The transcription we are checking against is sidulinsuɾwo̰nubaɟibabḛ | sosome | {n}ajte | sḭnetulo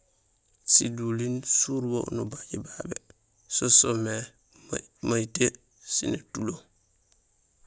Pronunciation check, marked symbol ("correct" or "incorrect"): incorrect